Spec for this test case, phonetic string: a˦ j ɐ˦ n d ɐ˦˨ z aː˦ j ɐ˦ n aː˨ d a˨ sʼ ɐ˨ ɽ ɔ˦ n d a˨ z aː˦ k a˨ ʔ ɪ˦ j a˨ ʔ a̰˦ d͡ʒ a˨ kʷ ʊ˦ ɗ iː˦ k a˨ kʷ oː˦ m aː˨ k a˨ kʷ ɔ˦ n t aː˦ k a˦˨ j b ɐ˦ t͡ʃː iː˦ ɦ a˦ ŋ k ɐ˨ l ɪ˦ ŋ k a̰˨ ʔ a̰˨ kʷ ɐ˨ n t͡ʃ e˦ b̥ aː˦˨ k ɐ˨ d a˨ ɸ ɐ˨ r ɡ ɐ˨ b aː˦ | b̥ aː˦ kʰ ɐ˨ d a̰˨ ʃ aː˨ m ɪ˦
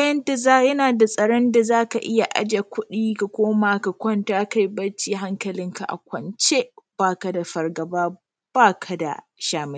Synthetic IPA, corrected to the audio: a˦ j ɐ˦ n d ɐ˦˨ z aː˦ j ɐ˦ n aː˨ d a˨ sʼ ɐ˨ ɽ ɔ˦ n d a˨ z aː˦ k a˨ ʔ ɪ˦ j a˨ ʔ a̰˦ d͡ʒ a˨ kʷ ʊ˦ ɗ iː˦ k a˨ kʷ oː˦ m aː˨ k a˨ kʷ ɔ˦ n t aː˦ k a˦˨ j b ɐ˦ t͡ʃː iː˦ ɦ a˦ ŋ k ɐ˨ l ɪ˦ ŋ k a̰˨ ʔ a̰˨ kʷ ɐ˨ n t͡ʃ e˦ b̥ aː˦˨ k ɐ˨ d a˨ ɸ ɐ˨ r ɡ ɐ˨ b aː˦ | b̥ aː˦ kʰ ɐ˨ d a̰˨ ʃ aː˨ m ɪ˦